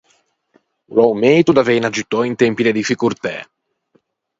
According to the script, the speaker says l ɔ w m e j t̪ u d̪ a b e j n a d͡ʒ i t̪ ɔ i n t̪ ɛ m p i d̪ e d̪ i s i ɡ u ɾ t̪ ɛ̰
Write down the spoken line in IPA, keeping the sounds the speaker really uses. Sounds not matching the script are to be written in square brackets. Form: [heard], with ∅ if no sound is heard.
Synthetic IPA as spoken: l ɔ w m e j t̪ u d̪ a [v] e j n a d͡ʒ i t̪ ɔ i n t̪ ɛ m p i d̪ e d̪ i [f] i [k] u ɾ t̪ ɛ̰